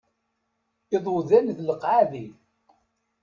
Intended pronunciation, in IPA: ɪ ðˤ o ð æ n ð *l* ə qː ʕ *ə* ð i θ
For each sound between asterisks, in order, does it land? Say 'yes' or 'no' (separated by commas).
yes, no